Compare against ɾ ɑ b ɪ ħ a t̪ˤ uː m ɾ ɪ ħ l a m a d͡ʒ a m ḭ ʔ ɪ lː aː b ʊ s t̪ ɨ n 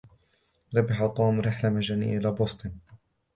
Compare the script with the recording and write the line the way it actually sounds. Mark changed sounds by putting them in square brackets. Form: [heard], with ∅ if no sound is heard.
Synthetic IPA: ɾ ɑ b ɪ ħ a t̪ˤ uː m ɾ ɪ ħ l a m a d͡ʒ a [n] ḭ ʔ ɪ [l] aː b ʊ s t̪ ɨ n

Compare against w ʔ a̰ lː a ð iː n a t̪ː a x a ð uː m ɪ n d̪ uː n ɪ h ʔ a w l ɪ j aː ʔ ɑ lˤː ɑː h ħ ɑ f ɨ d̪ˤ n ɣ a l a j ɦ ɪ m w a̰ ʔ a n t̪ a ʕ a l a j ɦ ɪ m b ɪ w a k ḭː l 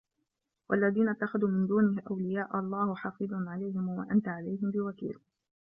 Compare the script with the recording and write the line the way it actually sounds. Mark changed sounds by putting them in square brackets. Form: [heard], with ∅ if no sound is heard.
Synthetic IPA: w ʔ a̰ lː a ð iː n a t̪ː a x a ð uː m ɪ n d̪ uː n ɪ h ʔ a w l ɪ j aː ʔ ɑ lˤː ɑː h ħ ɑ f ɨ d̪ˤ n [ʕ] a l a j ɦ ɪ m w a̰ ʔ a n t̪ a ʕ a l a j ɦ ɪ m b ɪ w a k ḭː l

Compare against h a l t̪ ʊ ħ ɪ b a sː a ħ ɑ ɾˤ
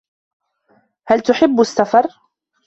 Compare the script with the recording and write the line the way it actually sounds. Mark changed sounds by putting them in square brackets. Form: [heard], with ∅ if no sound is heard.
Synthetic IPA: h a l t̪ ʊ ħ ɪ [bː] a sː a [f] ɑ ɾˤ

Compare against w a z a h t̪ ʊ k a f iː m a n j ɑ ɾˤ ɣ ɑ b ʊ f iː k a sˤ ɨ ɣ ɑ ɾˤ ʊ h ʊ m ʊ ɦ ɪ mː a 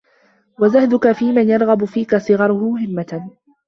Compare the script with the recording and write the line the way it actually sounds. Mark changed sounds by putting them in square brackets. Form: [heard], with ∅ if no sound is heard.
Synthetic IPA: w a z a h [d̪] ʊ k a f iː m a n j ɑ ɾˤ ɣ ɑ b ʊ f iː k a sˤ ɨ ɣ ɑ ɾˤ ʊ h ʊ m ʊ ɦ ɪ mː a

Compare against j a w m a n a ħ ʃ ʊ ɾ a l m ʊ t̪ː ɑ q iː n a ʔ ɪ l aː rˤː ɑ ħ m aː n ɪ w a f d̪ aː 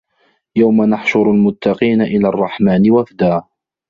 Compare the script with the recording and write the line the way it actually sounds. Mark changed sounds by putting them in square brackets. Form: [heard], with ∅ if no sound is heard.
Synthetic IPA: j a w m a n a ħ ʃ ʊ ɾ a l m ʊ t̪ː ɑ q iː n a ʔ ɪ l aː rˤː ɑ ħ m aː n ɪ w a f d̪ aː

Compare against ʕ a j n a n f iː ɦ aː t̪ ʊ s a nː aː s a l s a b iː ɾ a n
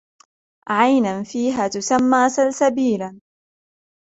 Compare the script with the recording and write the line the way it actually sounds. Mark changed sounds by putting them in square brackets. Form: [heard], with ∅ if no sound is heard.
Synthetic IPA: ʕ a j n a n f iː ɦ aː t̪ ʊ s a [mː] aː s a l s a b iː [l] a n

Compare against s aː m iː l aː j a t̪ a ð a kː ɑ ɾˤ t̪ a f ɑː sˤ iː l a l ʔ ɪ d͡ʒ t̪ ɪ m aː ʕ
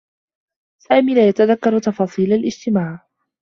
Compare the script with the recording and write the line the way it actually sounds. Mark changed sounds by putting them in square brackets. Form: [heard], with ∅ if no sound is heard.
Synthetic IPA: s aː m iː l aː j a t̪ a ð a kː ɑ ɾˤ t̪ [ɑ] f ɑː sˤ iː l a l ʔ ɪ d͡ʒ t̪ ɪ m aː ʕ

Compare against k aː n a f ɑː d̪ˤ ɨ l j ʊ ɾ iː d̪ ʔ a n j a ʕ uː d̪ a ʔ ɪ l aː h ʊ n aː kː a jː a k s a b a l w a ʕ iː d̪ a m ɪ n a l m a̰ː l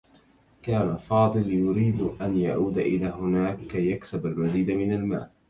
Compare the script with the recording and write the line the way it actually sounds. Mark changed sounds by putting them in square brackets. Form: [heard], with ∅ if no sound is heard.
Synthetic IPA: k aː n a f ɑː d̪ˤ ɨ l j ʊ ɾ iː d̪ ʔ a n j a ʕ uː d̪ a ʔ ɪ l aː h ʊ n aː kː a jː a k s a b a l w a [z] iː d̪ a m ɪ n a l m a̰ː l

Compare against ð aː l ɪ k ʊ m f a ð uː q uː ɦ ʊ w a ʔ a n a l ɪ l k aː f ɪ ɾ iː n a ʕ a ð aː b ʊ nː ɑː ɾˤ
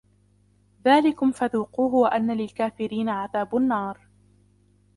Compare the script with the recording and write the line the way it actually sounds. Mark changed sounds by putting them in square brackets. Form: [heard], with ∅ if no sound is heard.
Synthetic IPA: ð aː l ɪ k ʊ m f a ð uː q uː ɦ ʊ w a ʔ a [nː] a l ɪ l k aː f ɪ ɾ iː n a ʕ a ð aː b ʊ nː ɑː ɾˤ

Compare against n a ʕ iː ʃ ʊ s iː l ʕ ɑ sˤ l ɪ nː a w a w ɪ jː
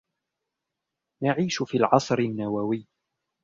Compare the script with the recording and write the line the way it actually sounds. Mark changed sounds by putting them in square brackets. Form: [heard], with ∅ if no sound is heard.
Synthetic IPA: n a ʕ iː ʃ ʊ [f] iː l ʕ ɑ sˤ [ɾ] ɪ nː a w a w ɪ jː

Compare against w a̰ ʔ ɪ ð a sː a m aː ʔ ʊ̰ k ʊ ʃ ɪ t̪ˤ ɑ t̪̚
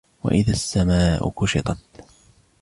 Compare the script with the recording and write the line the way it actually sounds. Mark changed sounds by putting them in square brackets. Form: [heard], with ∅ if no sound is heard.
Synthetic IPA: w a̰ ʔ ɪ ð a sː a m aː ʔ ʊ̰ k ʊ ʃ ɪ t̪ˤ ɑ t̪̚

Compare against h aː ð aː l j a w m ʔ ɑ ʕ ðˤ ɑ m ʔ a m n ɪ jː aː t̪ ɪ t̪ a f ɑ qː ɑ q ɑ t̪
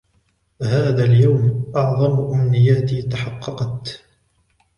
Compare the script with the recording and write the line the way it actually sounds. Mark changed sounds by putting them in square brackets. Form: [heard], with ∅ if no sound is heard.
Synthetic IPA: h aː ð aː l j a w m ʔ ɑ ʕ ðˤ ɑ m ʔ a m n ɪ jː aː t̪ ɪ t̪ a [ħ] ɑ qː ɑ q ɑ t̪

